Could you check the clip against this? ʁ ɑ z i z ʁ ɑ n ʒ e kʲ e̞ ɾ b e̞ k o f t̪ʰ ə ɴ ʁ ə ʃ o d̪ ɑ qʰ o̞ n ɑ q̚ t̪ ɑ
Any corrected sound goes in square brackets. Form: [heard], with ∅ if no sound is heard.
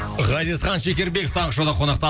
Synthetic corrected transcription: ʁ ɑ z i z [χ] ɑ n [ʃ] e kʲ e̞ ɾ b e̞ k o f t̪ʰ [ɑ] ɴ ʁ ə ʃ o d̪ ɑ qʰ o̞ n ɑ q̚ t̪ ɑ